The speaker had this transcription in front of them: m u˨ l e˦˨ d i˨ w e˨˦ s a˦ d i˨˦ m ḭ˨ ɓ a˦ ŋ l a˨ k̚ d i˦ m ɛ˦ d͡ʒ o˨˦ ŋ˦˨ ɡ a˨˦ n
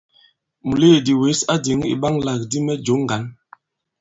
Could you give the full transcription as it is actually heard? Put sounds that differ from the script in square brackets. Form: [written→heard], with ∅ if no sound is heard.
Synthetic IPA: m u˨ l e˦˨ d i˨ w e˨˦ s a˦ d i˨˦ [m→ŋ] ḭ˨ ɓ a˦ ŋ l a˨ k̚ d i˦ m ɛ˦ d͡ʒ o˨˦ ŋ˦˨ ɡ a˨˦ n